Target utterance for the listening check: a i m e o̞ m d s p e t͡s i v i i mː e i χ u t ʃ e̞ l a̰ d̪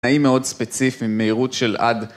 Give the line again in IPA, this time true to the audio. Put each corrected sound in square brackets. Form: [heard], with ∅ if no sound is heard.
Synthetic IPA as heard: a i m e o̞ [∅] d s p e t͡s i [f] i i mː e i [ʁ] u t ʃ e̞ l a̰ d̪